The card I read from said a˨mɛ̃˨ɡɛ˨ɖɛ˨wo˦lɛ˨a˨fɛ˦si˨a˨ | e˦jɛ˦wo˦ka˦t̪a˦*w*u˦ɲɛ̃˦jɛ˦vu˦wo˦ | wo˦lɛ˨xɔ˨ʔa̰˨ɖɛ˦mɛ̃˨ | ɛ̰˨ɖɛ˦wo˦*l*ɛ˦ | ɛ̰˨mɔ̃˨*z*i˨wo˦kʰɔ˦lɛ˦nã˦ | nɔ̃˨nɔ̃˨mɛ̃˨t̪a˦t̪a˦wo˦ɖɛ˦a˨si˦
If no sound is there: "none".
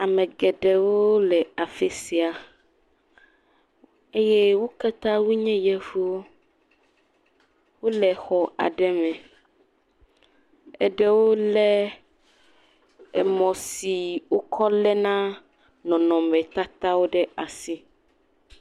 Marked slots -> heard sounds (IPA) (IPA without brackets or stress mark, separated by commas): w, l, s